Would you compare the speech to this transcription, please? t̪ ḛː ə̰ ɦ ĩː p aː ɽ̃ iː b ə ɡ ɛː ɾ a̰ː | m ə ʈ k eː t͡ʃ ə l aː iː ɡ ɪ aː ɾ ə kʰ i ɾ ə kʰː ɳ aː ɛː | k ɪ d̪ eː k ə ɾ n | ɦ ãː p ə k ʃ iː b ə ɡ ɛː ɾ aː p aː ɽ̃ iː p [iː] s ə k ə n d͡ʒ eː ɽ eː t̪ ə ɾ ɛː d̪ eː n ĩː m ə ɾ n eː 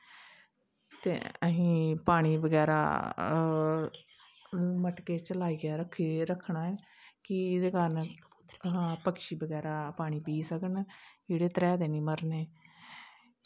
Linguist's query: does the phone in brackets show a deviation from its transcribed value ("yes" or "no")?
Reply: no